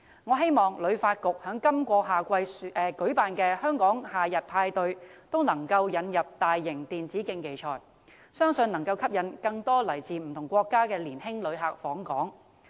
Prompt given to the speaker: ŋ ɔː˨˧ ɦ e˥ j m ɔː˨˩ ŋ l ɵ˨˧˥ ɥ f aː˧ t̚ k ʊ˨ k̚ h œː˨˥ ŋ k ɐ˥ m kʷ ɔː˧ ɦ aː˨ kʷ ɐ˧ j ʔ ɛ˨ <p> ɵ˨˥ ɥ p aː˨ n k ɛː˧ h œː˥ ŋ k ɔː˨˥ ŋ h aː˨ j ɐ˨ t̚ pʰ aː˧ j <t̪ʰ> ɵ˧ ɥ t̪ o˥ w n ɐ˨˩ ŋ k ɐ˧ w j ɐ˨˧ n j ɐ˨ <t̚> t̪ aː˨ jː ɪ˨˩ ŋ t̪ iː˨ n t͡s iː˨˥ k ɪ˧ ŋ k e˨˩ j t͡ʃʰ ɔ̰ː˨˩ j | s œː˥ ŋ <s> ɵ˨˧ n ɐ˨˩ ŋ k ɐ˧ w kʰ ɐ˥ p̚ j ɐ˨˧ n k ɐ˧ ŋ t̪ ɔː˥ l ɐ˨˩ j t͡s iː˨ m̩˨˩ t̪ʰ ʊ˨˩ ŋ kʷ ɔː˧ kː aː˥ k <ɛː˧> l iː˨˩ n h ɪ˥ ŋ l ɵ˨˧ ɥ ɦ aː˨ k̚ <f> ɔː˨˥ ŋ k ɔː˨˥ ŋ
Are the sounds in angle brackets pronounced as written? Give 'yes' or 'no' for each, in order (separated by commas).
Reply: no, no, no, yes, yes, yes